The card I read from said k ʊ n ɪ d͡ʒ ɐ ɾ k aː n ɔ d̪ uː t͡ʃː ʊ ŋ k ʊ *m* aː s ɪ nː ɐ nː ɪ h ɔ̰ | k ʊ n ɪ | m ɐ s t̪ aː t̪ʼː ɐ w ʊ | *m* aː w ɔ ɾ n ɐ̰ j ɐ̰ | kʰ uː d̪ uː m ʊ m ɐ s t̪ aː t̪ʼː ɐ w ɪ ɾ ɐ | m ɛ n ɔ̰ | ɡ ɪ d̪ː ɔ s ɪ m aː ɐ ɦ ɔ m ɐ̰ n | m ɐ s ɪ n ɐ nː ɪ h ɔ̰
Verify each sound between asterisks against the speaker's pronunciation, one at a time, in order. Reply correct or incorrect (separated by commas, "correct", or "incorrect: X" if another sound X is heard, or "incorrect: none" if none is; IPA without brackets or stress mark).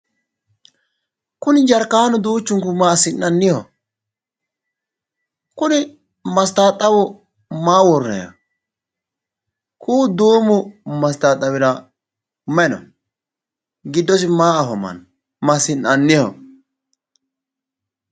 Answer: correct, correct